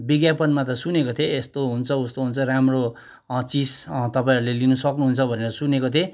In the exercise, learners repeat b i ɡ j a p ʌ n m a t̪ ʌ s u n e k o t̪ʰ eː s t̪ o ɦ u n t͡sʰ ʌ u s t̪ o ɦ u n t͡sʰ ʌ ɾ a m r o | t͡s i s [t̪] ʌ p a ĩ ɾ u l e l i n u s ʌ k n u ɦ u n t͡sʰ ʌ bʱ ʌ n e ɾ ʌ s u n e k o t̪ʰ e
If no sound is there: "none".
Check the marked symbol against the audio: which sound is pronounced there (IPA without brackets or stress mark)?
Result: t̪